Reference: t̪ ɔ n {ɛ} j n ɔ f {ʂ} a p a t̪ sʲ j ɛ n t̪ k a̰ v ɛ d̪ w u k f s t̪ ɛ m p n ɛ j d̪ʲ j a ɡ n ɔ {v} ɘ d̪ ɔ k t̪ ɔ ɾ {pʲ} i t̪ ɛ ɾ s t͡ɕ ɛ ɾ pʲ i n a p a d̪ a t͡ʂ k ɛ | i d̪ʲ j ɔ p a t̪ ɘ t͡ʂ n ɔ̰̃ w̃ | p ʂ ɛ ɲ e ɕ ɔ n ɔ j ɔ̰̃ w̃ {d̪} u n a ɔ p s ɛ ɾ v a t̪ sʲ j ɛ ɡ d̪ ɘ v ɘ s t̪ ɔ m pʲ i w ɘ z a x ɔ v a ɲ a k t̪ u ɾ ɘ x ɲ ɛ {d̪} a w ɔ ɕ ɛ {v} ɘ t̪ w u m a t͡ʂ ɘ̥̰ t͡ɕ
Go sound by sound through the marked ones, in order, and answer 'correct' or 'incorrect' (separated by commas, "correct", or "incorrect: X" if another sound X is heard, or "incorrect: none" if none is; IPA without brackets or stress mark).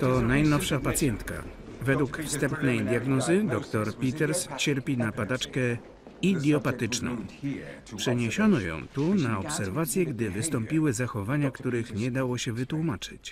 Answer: incorrect: a, correct, incorrect: z, correct, incorrect: t̪, correct, correct